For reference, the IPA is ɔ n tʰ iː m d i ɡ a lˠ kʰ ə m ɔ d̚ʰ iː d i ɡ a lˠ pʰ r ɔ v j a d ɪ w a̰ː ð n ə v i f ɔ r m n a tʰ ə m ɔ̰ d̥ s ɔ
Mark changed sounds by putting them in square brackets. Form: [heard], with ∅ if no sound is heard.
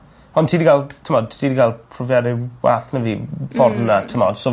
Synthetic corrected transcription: ɔ n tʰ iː [∅] d i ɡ a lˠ [tʰ] ə m ɔ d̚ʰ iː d i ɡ a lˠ pʰ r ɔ v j a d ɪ w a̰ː [θ] n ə v i f ɔ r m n a tʰ ə m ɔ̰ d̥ s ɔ

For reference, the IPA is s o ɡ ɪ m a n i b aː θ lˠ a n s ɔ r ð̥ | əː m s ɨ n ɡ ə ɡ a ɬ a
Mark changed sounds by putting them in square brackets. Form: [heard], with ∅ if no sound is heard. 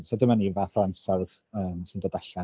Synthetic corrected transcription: s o [d] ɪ m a n i [v] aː θ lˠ a n s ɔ r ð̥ | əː m s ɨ n [d] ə [d] a ɬ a

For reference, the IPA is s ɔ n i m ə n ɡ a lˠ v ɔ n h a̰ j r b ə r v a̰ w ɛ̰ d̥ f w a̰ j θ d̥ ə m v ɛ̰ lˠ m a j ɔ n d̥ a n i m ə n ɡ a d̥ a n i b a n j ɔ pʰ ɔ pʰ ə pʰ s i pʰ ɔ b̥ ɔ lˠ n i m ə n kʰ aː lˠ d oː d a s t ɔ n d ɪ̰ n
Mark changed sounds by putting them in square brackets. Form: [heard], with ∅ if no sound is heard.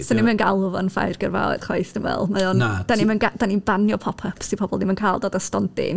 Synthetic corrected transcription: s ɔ n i m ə n ɡ a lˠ v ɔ n [f] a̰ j r [ɡ] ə r v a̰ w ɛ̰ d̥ [χ] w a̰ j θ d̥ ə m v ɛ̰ lˠ m a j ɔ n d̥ a n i m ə n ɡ a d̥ a n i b a n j ɔ pʰ ɔ pʰ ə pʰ s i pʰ ɔ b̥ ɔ lˠ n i m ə n kʰ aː lˠ d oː d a s t ɔ n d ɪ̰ n

